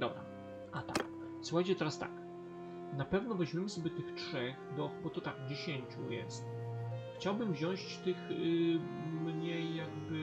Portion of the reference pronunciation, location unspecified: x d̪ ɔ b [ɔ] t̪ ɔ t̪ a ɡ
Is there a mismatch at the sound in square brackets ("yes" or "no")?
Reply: no